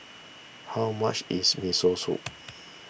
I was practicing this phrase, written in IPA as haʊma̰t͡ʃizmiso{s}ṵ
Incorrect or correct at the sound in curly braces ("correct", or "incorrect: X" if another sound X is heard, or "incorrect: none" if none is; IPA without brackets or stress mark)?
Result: correct